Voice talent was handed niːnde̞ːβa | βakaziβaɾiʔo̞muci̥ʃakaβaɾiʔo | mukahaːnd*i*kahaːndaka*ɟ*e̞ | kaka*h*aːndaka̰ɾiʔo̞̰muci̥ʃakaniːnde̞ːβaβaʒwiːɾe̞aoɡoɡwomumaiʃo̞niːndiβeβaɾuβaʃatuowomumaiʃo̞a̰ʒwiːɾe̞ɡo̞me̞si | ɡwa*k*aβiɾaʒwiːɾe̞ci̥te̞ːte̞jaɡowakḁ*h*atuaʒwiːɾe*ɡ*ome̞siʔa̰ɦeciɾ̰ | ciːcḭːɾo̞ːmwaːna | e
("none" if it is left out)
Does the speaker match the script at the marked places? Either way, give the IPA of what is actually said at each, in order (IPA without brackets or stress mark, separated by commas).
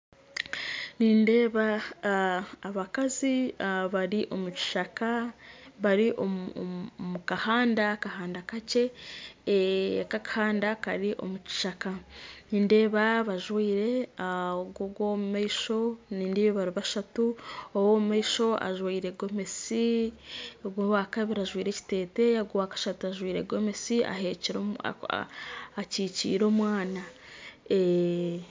a, c, h, k, ʃ, ɡ